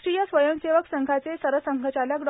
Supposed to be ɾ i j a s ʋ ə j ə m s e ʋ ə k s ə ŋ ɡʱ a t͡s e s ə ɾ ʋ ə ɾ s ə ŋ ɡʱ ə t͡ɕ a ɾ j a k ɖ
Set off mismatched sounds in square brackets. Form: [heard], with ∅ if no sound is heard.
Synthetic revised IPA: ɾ i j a s ʋ ə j ə m s e ʋ ə k s ə ŋ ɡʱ a t͡s e s ə ɾ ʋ ə [∅] s ə ŋ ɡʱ ə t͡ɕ a [l] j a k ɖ